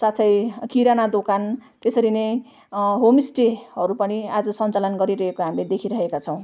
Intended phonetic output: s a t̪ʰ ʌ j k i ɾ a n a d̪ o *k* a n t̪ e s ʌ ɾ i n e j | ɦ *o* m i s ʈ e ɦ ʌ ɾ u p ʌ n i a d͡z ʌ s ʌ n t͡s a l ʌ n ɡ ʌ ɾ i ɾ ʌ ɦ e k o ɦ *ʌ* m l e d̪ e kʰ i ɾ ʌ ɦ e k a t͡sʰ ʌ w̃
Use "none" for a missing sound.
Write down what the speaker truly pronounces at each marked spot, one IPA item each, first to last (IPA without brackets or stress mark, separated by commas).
k, o, a